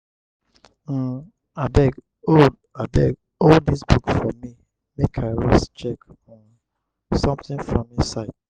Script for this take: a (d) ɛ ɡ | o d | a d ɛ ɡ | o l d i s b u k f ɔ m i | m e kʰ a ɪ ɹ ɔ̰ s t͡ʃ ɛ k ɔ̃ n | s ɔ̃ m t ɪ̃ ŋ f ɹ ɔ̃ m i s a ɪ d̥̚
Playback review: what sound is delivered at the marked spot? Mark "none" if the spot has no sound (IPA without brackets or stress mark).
d